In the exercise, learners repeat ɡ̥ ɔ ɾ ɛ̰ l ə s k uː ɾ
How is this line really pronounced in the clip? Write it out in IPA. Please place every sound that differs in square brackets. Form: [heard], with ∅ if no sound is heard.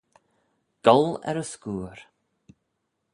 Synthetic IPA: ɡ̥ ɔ [l] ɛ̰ [ɾ] ə s k uː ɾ